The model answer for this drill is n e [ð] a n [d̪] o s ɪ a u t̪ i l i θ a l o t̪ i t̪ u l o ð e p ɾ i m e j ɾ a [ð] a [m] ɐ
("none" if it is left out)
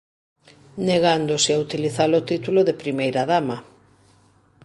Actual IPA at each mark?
ɣ, d̪, ð, m

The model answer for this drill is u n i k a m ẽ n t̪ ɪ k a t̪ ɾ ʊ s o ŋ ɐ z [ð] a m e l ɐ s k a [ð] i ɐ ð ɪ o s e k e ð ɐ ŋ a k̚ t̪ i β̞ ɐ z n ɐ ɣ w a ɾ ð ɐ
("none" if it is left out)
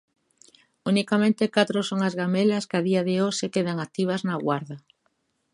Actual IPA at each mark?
ɣ, ð

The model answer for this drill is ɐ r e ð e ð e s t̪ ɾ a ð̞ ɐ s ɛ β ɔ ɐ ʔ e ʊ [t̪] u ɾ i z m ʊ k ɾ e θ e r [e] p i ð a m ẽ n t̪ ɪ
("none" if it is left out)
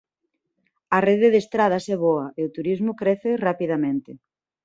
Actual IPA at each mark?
t̪, a

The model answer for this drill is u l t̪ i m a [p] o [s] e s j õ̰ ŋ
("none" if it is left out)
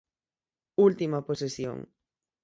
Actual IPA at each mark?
p, s

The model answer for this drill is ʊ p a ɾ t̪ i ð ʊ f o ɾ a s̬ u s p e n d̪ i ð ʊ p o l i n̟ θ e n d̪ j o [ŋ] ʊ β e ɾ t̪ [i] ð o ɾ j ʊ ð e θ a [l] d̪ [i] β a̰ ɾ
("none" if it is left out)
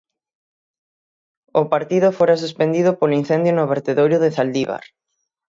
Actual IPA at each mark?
n, e, l, i

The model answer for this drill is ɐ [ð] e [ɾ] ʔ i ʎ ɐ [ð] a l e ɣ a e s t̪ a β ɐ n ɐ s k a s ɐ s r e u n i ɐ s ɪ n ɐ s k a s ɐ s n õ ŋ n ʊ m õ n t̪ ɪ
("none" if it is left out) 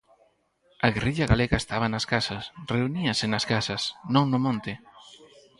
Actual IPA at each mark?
ɣ, r, ɣ

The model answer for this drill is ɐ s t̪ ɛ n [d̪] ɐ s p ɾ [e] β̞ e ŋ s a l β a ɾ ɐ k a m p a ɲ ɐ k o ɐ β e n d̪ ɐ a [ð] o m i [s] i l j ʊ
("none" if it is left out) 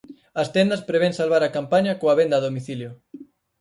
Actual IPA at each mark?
d̪, e, ð, θ

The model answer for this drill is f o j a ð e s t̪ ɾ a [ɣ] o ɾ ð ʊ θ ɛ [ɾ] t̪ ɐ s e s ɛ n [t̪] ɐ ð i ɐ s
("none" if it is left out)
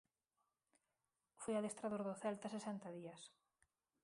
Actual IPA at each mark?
ð, l, t̪

